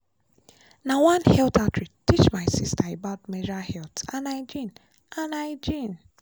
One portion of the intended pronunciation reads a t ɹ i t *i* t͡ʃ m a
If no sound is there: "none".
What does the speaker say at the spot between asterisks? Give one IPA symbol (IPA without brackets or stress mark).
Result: i